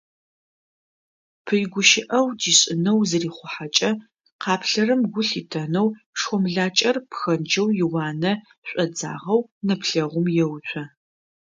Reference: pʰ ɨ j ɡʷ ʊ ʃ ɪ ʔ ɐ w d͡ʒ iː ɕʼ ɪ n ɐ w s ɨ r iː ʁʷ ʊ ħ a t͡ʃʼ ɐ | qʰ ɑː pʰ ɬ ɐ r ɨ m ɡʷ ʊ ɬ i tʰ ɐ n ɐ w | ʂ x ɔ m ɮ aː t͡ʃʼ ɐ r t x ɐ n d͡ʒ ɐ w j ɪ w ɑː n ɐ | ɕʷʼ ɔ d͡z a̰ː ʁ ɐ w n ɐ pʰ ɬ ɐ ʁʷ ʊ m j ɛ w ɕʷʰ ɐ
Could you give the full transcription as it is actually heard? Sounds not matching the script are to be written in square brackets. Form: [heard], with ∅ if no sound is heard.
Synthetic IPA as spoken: pʰ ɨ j ɡʷ ʊ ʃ ɪ ʔ ɐ w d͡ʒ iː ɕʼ ɪ n ɐ w [z] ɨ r iː [χʷ] ʊ ħ a t͡ʃʼ ɐ | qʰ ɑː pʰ ɬ ɐ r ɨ m ɡʷ ʊ ɬ i tʰ ɐ n ɐ w | ʂ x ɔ m ɮ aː t͡ʃʼ ɐ r [p] x ɐ n d͡ʒ ɐ w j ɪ w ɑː n ɐ | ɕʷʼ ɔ d͡z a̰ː ʁ ɐ w n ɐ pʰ ɬ ɐ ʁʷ ʊ m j ɛ w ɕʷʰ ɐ